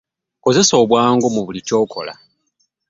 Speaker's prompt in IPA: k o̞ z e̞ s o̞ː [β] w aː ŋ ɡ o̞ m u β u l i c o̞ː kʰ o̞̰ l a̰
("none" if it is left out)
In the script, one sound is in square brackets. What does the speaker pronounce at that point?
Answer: β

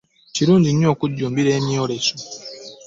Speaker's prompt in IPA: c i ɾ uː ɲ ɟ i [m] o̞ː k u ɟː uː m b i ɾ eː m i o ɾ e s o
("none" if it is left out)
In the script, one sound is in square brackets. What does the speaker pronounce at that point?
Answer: ɲ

